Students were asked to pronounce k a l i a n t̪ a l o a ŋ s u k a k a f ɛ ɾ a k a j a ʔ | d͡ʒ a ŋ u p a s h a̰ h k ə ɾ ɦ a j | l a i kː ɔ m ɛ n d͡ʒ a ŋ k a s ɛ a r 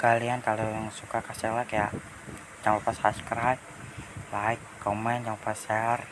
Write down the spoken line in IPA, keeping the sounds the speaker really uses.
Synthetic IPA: k a l i a n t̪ a l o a ŋ s u k a k a s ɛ l a k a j a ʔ | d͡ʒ a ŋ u p a s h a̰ s k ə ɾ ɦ a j | l a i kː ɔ m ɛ n d͡ʒ a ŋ p a s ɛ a r